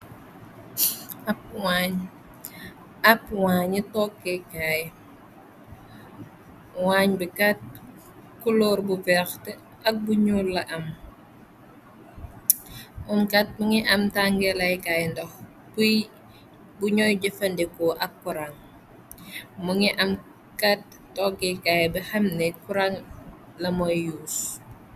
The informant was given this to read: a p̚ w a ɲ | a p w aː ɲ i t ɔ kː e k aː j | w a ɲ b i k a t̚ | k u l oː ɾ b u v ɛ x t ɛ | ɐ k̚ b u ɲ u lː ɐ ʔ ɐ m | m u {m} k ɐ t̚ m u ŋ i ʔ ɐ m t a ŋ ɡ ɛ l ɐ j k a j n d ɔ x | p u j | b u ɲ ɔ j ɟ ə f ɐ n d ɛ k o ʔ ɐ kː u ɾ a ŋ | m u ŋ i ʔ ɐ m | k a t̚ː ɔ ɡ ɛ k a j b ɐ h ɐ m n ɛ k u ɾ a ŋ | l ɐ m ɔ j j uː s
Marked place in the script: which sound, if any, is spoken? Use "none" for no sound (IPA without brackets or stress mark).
m